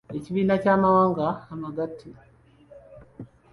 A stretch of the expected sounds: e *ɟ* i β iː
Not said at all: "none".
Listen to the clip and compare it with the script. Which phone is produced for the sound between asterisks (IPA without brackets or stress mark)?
c